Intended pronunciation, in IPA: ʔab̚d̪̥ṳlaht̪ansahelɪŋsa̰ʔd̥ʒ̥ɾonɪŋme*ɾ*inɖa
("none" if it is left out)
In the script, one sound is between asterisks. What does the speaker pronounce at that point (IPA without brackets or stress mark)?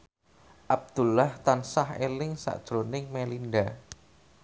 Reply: l